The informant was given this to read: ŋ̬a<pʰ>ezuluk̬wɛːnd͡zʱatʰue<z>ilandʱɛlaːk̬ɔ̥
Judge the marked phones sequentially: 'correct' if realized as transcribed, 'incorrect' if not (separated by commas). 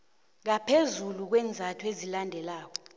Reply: correct, correct